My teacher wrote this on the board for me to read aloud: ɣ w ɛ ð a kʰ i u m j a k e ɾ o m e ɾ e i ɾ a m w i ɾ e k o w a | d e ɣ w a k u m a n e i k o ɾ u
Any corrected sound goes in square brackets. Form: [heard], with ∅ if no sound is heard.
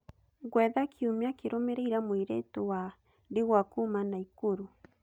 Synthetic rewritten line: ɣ w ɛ ð a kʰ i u m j a k e ɾ o m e ɾ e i ɾ a m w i ɾ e [t] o w a | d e ɣ w a k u m a n [a] i k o ɾ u